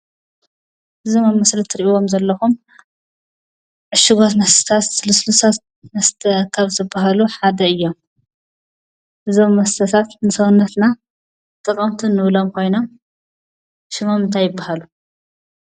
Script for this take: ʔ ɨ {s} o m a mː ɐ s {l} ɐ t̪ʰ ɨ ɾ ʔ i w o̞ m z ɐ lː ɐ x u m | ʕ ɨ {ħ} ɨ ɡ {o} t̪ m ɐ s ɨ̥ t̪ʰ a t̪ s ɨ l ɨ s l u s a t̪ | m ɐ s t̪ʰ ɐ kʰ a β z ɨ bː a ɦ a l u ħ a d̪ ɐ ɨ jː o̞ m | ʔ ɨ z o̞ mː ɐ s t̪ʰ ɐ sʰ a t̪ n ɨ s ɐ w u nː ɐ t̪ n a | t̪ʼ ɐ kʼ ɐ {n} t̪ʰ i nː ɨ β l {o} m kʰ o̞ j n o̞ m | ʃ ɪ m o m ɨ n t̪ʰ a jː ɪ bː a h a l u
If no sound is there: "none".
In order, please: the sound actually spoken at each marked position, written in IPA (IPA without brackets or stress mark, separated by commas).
z, l, ʃ, o, m, o